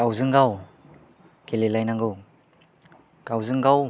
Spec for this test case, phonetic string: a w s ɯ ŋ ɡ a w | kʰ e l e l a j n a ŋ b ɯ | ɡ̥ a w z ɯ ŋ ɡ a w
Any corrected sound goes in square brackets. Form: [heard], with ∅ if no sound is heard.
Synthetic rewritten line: a w [z] ɯ ŋ ɡ a w | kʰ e l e l a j n a ŋ [ɡ] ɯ | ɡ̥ a w z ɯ ŋ ɡ a w